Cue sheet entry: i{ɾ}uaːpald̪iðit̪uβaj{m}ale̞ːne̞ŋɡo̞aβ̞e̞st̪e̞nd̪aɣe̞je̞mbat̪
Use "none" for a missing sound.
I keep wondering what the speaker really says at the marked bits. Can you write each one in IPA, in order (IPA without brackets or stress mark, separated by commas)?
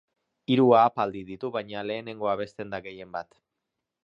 ɾ, ɲ